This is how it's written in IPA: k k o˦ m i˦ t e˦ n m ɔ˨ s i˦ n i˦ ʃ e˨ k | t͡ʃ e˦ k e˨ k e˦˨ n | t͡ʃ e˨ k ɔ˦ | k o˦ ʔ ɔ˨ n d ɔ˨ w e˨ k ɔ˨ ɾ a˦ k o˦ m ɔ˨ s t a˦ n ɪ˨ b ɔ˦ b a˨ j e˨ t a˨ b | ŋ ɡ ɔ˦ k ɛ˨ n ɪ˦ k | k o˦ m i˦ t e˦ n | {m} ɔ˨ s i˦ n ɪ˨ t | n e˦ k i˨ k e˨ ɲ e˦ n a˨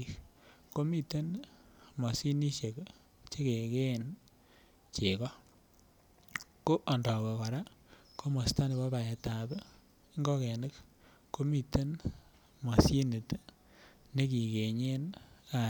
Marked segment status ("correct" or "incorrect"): correct